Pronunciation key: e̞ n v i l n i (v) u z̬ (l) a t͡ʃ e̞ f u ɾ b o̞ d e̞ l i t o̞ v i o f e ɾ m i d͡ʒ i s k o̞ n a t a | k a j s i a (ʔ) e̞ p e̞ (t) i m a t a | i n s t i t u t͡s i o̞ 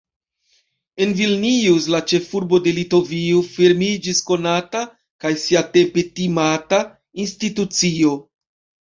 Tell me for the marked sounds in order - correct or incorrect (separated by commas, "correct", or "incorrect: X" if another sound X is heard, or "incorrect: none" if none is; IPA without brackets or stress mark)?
incorrect: none, correct, incorrect: t, correct